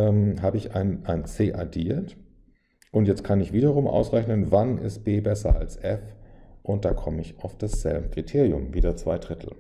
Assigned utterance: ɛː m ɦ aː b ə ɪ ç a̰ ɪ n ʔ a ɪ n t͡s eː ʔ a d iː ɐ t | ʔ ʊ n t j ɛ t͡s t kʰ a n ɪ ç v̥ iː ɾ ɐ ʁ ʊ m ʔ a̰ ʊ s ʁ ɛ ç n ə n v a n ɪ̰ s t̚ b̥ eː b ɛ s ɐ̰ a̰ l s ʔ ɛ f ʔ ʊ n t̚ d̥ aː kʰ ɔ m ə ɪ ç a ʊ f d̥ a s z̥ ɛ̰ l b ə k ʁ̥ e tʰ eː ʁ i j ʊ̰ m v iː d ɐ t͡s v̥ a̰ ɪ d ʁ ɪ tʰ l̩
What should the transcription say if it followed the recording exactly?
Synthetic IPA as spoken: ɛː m ɦ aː b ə ɪ ç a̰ ɪ n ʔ a ɪ n t͡s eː ʔ a d iː ɐ t | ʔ ʊ n t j ɛ t͡s t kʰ a n ɪ ç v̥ iː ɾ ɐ ʁ ʊ m ʔ a̰ ʊ s ʁ ɛ ç n ə n v a n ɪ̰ s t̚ b̥ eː b ɛ s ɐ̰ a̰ l s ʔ ɛ f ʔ ʊ n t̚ d̥ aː kʰ ɔ m ə ɪ ç a ʊ f d̥ a s z̥ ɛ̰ l b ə k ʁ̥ i tʰ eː ʁ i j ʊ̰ m v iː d ɐ t͡s v̥ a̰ ɪ d ʁ ɪ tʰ l̩